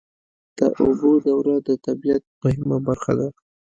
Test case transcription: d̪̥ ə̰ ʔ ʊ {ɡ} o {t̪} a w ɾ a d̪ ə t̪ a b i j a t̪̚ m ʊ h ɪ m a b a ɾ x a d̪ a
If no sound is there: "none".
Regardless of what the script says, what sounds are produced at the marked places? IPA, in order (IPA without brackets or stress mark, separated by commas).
b, d̪